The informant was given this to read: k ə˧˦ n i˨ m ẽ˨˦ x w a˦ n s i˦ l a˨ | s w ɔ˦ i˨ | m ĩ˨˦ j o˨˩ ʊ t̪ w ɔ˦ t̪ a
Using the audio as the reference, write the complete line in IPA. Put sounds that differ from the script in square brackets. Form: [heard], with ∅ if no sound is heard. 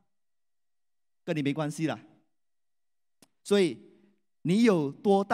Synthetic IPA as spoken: k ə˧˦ n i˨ m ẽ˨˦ [k] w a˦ n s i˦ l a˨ | s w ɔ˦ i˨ | [n] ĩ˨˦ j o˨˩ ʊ t̪ w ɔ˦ t̪ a